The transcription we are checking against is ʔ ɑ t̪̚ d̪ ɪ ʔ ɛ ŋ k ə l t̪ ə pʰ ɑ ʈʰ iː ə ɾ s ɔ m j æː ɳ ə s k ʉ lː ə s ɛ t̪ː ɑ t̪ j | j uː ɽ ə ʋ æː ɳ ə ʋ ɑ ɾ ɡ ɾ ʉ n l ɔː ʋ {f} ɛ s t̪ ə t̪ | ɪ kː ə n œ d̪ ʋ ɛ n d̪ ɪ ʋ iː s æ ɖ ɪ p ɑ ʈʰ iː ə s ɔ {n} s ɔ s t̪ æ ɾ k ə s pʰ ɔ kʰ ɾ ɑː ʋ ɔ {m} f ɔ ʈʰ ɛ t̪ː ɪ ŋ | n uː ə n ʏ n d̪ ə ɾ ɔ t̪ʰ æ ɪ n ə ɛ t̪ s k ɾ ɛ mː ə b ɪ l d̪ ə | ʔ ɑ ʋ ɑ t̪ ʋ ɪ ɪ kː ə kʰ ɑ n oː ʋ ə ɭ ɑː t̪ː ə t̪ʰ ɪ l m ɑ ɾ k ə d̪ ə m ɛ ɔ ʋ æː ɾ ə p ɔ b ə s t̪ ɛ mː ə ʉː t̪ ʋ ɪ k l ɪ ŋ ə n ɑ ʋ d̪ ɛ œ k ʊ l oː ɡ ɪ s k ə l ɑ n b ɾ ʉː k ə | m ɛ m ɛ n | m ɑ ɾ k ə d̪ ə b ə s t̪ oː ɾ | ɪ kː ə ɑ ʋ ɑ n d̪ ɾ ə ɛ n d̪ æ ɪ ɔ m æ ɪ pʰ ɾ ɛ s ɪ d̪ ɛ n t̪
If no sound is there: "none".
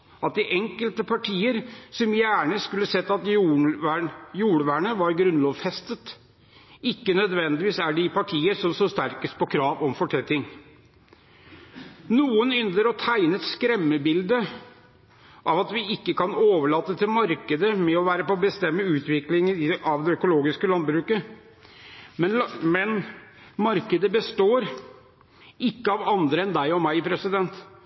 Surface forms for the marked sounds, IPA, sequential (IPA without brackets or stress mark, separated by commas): f, m, m